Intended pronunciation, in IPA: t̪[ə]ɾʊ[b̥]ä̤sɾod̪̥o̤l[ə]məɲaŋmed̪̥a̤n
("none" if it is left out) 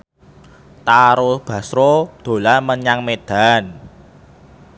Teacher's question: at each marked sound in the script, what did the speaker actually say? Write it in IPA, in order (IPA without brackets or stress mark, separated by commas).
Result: a, b̥, a